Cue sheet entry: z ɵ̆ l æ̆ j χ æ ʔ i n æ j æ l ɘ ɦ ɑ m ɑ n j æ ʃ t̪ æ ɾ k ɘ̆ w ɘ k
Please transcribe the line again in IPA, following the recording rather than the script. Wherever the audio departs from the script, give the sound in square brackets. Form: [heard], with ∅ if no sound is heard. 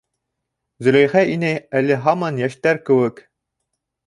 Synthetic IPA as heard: z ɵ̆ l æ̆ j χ æ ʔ i n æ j æ l ɘ ɦ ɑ m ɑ n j æ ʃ t̪ æ ɾ k ɘ̆ w ɘ k